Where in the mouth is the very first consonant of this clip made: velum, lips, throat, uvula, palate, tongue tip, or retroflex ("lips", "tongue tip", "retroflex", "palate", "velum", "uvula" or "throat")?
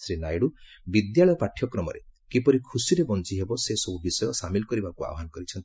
tongue tip